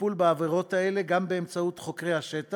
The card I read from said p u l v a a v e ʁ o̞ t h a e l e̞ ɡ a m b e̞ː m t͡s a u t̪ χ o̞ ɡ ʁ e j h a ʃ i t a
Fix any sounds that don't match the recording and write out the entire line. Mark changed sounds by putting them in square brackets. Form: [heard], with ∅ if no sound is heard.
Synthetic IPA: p u l [b] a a v e ʁ o̞ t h a e l e̞ ɡ a m b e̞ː m t͡s a u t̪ χ o̞ [k] ʁ e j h a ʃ [e] t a